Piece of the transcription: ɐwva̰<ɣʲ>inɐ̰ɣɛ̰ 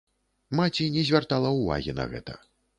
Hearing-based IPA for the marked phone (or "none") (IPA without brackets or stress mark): ɣʲ